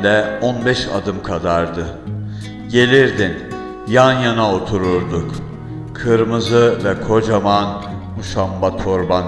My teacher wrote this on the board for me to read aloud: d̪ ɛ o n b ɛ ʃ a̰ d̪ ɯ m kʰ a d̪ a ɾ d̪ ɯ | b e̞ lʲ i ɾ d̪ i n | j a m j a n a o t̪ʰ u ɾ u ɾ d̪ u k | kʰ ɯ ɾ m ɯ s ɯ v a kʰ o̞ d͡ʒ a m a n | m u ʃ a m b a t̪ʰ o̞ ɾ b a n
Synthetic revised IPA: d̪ ɛ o n b ɛ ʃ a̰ d̪ ɯ m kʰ a d̪ a ɾ d̪ ɯ | ɟ e̞ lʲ i ɾ d̪ i n | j a n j a n a o t̪ʰ u ɾ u ɾ d̪ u k | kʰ ɯ ɾ m ɯ z ɯ v ɛ kʰ o̞ d͡ʒ a m a n | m u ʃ a m b a t̪ʰ o̞ ɾ b a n